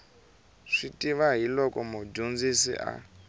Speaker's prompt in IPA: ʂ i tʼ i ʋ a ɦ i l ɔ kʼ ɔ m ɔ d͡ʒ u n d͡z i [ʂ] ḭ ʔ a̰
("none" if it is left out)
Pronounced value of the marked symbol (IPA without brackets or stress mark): s